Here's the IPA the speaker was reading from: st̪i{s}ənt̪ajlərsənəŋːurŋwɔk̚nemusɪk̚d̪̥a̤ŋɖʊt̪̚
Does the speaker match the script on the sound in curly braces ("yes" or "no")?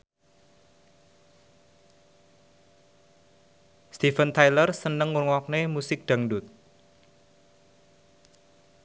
no